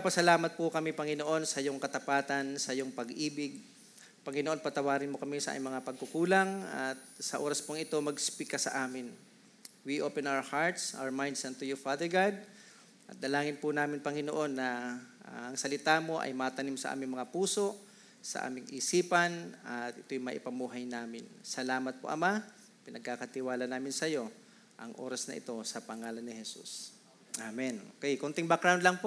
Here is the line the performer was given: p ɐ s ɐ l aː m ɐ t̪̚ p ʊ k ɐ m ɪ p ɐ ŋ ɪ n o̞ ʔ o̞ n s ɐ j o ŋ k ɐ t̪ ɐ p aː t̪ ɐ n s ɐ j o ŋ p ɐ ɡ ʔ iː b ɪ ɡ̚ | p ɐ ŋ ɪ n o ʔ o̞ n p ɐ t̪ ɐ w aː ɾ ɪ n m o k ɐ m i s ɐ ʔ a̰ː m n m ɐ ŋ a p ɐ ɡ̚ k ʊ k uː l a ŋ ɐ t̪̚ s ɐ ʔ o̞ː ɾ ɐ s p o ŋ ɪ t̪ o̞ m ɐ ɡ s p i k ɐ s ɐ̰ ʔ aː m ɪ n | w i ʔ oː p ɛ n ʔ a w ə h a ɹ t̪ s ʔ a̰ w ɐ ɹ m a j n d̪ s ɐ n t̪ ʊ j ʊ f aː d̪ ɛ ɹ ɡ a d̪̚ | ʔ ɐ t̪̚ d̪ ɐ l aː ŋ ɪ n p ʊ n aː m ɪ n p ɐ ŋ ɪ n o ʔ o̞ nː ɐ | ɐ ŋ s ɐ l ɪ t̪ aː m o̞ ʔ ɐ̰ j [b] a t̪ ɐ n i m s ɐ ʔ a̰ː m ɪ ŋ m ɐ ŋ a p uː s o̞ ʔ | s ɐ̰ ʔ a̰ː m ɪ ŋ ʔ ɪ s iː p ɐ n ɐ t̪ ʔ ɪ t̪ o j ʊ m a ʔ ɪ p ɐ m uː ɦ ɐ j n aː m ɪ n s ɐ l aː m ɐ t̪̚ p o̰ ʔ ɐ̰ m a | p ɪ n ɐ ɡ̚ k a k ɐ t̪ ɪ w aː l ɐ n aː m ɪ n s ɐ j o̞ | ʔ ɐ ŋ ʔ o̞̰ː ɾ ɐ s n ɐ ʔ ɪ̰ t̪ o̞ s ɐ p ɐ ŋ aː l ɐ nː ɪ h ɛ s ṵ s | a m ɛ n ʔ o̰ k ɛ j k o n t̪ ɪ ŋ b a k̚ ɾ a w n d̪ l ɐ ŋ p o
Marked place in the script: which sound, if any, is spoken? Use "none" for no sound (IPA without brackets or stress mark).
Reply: m